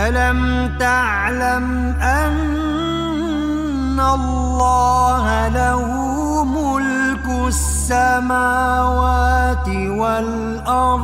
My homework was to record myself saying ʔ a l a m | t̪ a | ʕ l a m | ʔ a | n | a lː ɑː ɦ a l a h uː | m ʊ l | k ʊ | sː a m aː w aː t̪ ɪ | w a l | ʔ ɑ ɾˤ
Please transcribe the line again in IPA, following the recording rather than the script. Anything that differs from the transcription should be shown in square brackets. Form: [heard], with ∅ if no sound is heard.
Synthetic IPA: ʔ a l a m | t̪ a | ʕ l a m | ʔ a | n | a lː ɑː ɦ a l a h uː | m ʊ l | k ʊ | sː a m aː w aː t̪ ɪ | w a l | ʔ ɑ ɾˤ